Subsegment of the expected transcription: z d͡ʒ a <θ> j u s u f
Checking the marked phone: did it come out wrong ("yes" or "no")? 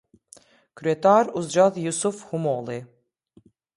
yes